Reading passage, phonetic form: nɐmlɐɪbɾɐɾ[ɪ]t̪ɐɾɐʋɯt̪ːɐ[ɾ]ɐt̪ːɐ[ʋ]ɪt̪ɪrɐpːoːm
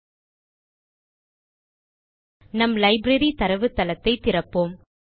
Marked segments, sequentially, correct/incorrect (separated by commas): incorrect, incorrect, incorrect